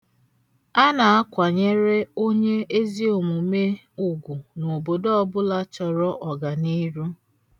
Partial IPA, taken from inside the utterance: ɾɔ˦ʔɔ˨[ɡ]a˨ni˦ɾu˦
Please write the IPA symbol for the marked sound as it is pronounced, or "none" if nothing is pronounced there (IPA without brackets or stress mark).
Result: ɡ